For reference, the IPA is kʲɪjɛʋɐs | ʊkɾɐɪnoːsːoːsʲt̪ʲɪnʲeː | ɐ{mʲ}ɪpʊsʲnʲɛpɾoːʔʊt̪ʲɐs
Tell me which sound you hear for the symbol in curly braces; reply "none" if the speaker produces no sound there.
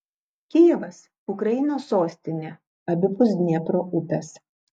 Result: bʲ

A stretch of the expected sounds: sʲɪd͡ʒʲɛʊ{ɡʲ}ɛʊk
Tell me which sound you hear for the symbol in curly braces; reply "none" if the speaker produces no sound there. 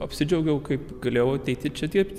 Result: ɡʲ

